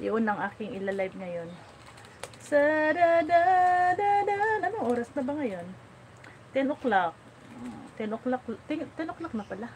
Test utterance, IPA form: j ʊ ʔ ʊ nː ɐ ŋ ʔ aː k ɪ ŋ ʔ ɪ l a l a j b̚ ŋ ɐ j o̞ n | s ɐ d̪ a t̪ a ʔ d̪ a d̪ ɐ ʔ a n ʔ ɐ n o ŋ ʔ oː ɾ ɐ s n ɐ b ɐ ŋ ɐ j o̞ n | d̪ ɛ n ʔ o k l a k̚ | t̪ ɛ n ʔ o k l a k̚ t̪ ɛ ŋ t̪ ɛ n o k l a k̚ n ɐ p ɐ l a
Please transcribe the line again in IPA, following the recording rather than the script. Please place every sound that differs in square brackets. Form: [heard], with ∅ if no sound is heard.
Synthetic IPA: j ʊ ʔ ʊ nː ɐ ŋ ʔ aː k ɪ ŋ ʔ ɪ l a l a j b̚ ŋ ɐ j o̞ n | s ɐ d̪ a [d̪] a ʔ d̪ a d̪ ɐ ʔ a n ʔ ɐ n o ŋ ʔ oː ɾ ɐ s n ɐ b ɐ ŋ ɐ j o̞ n | [t̪] ɛ n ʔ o k l a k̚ | t̪ ɛ n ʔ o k l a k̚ t̪ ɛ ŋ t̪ ɛ n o k l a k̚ n ɐ p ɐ l a